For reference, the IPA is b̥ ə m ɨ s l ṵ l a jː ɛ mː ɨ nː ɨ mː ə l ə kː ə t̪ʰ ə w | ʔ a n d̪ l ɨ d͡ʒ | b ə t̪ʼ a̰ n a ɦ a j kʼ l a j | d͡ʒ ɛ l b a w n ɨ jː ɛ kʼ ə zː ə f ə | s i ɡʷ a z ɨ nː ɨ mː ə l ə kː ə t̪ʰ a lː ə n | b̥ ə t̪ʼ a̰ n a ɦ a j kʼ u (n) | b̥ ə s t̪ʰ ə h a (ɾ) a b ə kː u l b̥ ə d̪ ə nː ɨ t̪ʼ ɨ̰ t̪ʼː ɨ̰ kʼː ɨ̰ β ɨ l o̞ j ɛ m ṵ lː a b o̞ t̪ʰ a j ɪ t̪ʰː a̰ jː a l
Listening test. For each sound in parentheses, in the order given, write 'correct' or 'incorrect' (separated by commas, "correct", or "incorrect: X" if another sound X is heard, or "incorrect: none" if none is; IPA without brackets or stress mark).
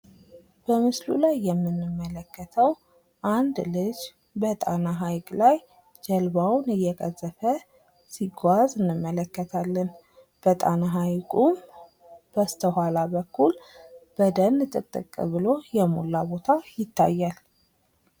incorrect: m, incorrect: l